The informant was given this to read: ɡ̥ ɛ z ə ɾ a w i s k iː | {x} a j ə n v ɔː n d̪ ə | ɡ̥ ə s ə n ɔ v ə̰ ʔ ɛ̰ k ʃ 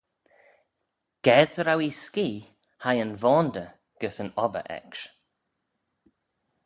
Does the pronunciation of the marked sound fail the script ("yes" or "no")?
yes